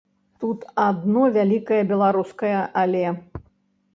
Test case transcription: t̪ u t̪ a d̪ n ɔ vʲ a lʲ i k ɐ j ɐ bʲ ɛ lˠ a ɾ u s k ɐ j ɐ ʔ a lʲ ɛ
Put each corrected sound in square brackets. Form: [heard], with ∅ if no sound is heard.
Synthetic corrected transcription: t̪ u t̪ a d̪ n ɔ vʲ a lʲ i k ɐ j ɐ bʲ ɛ lˠ a ɾ u s k ɐ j ɐ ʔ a lʲ ɛ